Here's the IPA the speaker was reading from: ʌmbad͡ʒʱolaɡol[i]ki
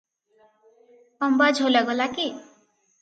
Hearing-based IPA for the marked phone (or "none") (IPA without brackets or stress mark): a